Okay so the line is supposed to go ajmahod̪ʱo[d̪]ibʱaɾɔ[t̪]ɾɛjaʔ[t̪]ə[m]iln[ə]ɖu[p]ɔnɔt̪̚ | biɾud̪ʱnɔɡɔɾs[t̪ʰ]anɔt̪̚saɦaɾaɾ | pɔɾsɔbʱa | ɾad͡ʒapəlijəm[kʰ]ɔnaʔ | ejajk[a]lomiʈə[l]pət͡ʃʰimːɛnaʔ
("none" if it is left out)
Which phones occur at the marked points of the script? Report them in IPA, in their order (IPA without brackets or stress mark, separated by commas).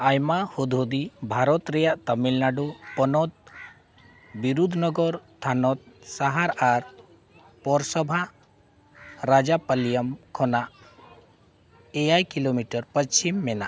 d̪, t̪, t̪, m, a, p, t̪ʰ, kʰ, i, ɾ